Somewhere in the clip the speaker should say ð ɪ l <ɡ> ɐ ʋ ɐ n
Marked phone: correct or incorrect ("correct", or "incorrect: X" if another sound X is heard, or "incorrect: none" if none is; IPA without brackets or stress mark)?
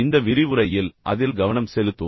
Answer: correct